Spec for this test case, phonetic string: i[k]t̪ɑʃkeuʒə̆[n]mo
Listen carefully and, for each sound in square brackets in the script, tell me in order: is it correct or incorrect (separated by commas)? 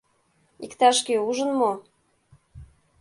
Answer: correct, correct